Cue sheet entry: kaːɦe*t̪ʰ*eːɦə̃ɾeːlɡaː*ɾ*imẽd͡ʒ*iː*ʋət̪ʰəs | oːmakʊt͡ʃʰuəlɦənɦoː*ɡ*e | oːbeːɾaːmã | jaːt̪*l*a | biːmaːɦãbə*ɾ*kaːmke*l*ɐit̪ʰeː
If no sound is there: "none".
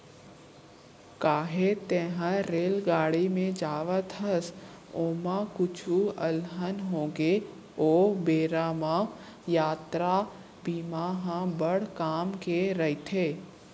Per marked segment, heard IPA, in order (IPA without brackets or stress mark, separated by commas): t̪, ɽ, aː, ɡ, ɾ, ɽ, ɾ